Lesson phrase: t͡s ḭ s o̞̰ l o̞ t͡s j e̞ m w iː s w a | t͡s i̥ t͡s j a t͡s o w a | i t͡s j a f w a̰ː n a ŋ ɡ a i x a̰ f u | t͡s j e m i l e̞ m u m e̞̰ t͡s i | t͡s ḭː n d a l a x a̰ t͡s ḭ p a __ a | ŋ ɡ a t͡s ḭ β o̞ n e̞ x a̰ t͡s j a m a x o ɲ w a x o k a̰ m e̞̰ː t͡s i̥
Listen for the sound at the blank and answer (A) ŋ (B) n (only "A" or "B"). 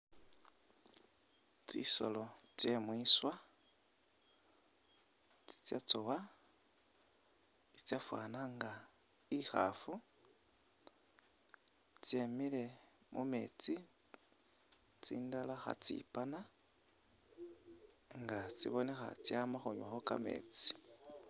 B